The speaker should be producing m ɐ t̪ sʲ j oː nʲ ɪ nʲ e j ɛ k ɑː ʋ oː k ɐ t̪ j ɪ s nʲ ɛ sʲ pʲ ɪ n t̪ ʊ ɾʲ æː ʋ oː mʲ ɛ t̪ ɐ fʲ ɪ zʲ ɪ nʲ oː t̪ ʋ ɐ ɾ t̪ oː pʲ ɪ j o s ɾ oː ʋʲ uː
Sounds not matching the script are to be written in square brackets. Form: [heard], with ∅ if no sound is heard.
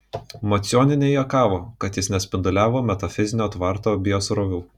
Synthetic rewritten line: m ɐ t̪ sʲ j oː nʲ ɪ nʲ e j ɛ k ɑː ʋ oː k ɐ t̪ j ɪ s nʲ ɛ sʲ pʲ ɪ n [d̪] ʊ [lʲ] æː ʋ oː mʲ ɛ t̪ ɐ fʲ ɪ zʲ ɪ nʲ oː t̪ ʋ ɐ ɾ t̪ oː [bʲ] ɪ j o s ɾ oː ʋʲ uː